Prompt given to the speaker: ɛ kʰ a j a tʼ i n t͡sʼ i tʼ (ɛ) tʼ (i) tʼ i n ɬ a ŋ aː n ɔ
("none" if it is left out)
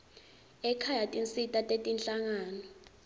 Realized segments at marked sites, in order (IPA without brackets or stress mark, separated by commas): a, e